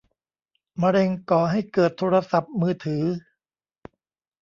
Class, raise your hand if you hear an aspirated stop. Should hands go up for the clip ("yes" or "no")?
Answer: yes